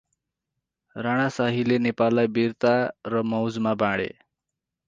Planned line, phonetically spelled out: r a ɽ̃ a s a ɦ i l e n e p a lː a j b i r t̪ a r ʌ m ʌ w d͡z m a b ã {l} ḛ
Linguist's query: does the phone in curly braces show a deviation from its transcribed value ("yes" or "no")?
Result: yes